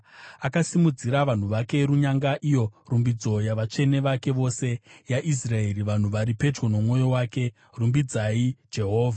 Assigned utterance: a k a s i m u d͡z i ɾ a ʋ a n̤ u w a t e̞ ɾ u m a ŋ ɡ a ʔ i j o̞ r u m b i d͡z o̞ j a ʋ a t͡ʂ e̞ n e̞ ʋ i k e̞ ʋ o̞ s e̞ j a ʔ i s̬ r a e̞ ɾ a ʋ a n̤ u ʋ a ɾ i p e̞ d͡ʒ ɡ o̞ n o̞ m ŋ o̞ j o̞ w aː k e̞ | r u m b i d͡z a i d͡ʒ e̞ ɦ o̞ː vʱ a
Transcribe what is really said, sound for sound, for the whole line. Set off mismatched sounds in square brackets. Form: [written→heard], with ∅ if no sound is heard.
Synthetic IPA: a k a s i m u d͡z i ɾ a ʋ a n̤ u [w→ʋ] a [t→k] e̞ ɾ u [m→ɲ] a ŋ ɡ a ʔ i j o̞ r u m b i d͡z o̞ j a ʋ a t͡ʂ e̞ n e̞ ʋ [i→a] k e̞ ʋ o̞ s e̞ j a ʔ i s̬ r a e̞ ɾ [a→i] ʋ a n̤ u ʋ a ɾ i p e̞ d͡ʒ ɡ o̞ n o̞ m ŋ o̞ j o̞ w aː k e̞ | r u m b i d͡z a i d͡ʒ e̞ ɦ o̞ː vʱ a

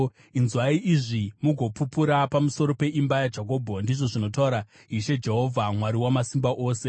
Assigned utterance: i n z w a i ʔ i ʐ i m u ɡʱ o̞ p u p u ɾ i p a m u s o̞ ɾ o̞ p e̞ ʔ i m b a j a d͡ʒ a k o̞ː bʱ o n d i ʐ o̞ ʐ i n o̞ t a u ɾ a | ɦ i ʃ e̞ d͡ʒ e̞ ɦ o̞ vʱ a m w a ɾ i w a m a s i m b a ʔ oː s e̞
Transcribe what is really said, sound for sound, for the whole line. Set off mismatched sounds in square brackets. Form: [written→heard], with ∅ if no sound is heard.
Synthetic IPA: i n z w a i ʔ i ʐ i m u ɡʱ o̞ p u p u ɾ [i→a] p a m u s o̞ ɾ o̞ p e̞ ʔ i m b a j a d͡ʒ a k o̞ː bʱ o n d i ʐ o̞ ʐ i n o̞ t a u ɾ a | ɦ i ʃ e̞ d͡ʒ e̞ ɦ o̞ vʱ a m w a ɾ i w a m a s i m b a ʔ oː s e̞

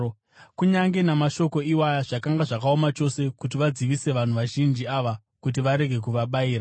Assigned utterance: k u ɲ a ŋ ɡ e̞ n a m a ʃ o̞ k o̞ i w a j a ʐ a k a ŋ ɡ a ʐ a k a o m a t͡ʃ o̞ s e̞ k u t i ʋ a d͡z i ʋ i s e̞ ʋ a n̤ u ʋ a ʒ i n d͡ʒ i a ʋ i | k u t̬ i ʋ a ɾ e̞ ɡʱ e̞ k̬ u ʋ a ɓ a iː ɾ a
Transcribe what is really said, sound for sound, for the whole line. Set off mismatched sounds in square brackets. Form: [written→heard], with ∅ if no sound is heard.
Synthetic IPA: k u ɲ a ŋ ɡ e̞ n a m a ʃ o̞ k o̞ i w a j a ʐ a k a ŋ ɡ a ʐ a k a o m a t͡ʃ o̞ s e̞ k u t i ʋ a d͡z i ʋ i s e̞ ʋ a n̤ u ʋ a ʒ i n d͡ʒ i a ʋ [i→a] | k u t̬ i ʋ a ɾ e̞ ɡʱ e̞ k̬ u ʋ a ɓ a iː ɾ a

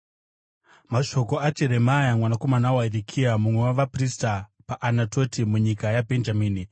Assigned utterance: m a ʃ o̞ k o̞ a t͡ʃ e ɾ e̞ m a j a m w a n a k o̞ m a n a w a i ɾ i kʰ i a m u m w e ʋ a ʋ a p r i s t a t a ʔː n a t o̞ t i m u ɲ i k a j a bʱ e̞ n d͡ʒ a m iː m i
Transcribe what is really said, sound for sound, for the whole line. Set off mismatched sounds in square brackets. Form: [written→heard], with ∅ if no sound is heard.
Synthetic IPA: m a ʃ o̞ k o̞ a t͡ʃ e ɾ e̞ m a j a m w a n a k o̞ m a n a w a i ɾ i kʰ i a m u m w e [ʋ→w] a ʋ a p r i s t a [t→p] a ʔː n a t o̞ t i m u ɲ i k a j a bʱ e̞ n d͡ʒ a m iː [m→n] i

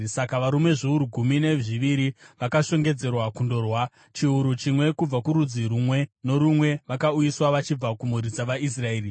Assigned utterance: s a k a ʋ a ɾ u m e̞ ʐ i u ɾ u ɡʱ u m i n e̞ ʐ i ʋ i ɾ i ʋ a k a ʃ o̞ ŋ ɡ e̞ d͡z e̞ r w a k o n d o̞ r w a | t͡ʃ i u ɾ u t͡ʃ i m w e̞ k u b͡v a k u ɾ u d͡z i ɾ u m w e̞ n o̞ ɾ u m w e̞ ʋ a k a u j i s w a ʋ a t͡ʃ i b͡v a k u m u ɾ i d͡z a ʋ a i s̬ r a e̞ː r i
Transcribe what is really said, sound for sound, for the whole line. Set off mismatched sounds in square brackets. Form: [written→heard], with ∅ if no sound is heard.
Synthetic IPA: s a k a ʋ a ɾ u m e̞ ʐ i u ɾ u ɡʱ u m i n e̞ ʐ i ʋ i ɾ i ʋ a k a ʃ o̞ ŋ ɡ e̞ d͡z e̞ r w a k [o→u] n d o̞ r w a | t͡ʃ i u ɾ u t͡ʃ i m w e̞ k u b͡v a k u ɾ u d͡z i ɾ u m w e̞ n o̞ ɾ u m w e̞ ʋ a k a u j i s w a ʋ a t͡ʃ i b͡v a k u m u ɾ i d͡z a ʋ a i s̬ r a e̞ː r i

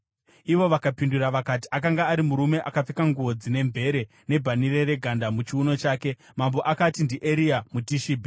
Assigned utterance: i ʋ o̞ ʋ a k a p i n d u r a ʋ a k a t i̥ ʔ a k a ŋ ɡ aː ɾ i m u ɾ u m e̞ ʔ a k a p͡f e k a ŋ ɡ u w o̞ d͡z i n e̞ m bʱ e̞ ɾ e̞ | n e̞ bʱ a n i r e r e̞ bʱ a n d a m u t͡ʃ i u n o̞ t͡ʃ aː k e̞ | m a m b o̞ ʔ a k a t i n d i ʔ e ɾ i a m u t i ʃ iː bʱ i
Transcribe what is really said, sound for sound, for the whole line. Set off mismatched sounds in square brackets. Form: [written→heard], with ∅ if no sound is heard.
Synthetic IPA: i ʋ o̞ ʋ a k a p i n d u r a ʋ a k a t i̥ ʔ a k a ŋ ɡ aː ɾ i m u ɾ u m e̞ ʔ a k a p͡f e k a ŋ ɡ u [w→ʋ] o̞ d͡z i n e̞ m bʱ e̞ ɾ e̞ | n e̞ bʱ a n i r e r e̞ [bʱ→ɡʱ] a n d a m u t͡ʃ i u n o̞ t͡ʃ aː k e̞ | m a m b o̞ ʔ a k a t i n d i ʔ e ɾ i a m u t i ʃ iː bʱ i

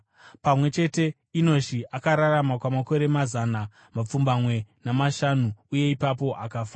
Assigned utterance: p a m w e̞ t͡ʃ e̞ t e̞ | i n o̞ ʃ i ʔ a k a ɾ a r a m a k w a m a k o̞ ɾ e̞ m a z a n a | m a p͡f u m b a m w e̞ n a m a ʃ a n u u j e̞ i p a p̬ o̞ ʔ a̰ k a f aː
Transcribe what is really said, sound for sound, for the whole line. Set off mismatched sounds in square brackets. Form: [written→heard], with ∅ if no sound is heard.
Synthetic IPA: p a m w e̞ t͡ʃ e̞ t e̞ | i n o̞ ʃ i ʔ a k a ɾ a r a m a k w a m a k o̞ ɾ e̞ m a z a n a | m a p͡f u m b a m w e̞ n a m a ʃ a n u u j e̞ i p a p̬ o̞ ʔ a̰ k a f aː

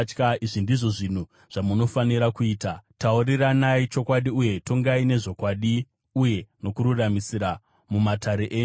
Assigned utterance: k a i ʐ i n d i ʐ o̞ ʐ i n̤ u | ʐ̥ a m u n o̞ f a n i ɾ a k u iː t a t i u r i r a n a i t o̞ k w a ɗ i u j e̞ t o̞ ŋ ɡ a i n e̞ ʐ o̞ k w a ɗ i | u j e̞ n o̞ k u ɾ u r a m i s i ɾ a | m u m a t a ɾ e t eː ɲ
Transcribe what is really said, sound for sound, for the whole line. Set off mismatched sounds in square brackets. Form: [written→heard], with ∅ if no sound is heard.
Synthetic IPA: k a i ʐ i n d i ʐ o̞ ʐ i n̤ u | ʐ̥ a m u n o̞ f a n i ɾ a k u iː t a t [i→a] u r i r a n a i [t→t͡ʃ] o̞ k w a ɗ i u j e̞ t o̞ ŋ ɡ a i n e̞ ʐ o̞ k w a ɗ i | u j e̞ n o̞ k u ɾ u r a m i s i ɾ a | m u m a t a ɾ e [t→ʔ] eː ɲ

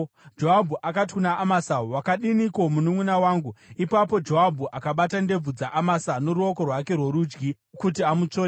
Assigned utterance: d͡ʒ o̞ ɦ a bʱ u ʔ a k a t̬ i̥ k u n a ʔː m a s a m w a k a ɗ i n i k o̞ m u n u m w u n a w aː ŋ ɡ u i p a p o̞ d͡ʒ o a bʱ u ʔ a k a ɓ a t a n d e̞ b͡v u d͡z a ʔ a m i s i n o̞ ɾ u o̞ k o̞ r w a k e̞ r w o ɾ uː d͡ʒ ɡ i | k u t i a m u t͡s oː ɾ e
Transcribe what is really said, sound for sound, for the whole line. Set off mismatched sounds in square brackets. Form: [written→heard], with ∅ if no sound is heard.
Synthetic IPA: d͡ʒ o̞ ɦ a bʱ u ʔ a k a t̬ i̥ k u n a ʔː m a s a [m→∅] w a k a ɗ i n i k o̞ m u n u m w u n a w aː ŋ ɡ u i p a p o̞ d͡ʒ o a bʱ u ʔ a k a ɓ a t a n d e̞ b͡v u d͡z a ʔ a m [i→a] s [i→a] n o̞ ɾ u o̞ k o̞ r w a k e̞ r w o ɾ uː d͡ʒ ɡ i | k u t i a m u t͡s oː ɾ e

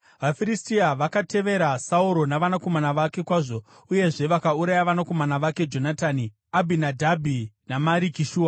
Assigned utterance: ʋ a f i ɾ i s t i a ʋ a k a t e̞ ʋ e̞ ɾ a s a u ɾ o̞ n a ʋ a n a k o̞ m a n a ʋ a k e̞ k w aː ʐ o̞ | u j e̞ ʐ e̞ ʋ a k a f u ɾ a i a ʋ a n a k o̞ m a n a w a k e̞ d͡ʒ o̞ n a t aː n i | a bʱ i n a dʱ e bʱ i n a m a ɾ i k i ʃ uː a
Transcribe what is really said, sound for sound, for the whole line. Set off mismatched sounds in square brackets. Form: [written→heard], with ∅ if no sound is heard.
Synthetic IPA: ʋ a f i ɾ i s t i a ʋ a k a t e̞ ʋ e̞ ɾ a s a u ɾ o̞ n a ʋ a n a k o̞ m a n a ʋ a k e̞ k w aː ʐ o̞ | u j e̞ ʐ e̞ ʋ a k a [f→∅] u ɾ a [i→j] a ʋ a n a k o̞ m a n a [w→ʋ] a k e̞ d͡ʒ o̞ n a t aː n i | a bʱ i n a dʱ [e→a] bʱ i n a m a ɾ i k i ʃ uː a

